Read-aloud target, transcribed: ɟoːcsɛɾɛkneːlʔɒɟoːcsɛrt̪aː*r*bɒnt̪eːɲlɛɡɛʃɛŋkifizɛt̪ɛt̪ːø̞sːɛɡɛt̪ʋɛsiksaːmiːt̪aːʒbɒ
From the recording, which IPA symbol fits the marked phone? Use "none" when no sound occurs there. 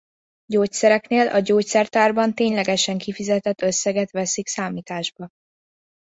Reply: r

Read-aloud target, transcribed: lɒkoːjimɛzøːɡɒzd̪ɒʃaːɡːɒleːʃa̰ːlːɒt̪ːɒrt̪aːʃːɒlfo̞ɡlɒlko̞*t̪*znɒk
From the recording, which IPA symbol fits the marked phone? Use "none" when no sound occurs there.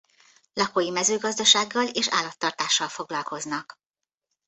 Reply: none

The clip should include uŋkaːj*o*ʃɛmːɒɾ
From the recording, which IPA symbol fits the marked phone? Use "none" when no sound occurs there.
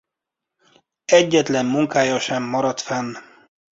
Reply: ɒ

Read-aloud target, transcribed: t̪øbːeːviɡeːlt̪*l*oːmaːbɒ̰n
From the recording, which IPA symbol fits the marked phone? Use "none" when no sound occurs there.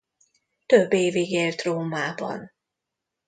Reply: r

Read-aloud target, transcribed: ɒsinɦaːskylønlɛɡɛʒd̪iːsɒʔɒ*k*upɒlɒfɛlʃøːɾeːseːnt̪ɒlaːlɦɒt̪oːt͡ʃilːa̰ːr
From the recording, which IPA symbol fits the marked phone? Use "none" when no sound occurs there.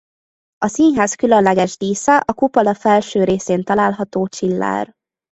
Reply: k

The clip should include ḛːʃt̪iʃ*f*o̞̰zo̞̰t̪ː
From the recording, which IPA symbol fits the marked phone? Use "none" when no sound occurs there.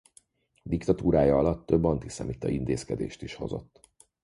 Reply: h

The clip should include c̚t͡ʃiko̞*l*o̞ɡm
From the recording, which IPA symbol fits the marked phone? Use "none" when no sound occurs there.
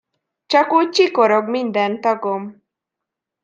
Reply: ɾ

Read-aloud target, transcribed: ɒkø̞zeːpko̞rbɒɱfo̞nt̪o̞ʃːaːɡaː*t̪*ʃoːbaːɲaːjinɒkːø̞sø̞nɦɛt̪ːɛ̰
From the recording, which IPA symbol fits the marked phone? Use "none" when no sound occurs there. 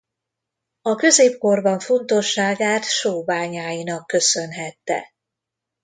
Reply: t̪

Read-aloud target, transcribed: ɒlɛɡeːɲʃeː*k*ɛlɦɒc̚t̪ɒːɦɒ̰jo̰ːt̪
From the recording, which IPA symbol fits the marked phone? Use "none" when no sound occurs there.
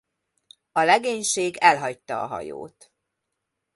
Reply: ɡ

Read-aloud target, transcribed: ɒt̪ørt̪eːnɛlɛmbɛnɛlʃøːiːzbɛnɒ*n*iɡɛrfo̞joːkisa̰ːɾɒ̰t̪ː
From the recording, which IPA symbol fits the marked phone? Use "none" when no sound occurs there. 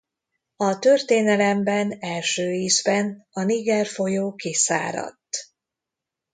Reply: n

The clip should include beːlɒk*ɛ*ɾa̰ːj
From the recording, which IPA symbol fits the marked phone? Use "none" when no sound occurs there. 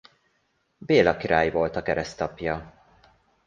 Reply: i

